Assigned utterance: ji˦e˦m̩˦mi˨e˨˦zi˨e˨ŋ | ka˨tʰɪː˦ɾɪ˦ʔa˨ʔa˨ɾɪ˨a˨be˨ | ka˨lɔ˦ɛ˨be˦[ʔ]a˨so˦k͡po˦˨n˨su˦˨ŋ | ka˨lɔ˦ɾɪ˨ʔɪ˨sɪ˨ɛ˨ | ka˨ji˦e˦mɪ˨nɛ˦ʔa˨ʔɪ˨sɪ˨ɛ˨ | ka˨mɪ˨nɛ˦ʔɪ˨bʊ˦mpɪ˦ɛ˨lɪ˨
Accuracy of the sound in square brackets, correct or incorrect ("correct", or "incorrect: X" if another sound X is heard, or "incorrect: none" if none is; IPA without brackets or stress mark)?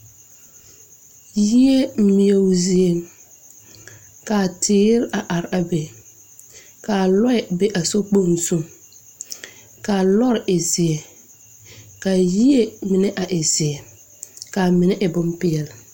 correct